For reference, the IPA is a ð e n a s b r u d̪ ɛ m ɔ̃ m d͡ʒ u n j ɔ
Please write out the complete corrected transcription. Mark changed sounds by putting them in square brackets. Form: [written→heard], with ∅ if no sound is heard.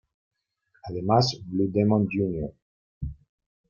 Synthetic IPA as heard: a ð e [n→m] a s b [r→l] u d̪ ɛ m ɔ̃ [m→n] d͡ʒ u n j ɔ